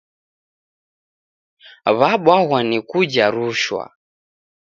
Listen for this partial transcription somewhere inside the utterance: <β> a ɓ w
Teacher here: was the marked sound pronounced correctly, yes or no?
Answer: yes